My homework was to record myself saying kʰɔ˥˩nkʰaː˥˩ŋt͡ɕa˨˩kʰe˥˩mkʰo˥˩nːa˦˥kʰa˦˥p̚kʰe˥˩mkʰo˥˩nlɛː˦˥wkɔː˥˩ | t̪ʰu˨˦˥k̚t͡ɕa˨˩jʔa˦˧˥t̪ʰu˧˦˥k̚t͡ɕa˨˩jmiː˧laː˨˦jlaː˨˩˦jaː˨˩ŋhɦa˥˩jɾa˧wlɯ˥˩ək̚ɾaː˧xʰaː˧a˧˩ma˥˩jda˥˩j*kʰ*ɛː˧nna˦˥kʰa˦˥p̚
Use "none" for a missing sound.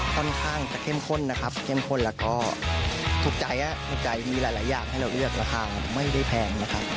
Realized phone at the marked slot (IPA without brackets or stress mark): pʰ